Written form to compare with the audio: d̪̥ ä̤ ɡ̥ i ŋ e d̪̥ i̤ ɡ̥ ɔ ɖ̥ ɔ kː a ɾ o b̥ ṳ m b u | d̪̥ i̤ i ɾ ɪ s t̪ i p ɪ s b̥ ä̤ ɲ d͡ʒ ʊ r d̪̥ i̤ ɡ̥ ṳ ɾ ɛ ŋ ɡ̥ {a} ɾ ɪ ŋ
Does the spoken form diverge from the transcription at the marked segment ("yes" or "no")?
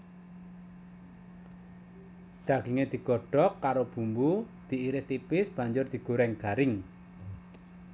no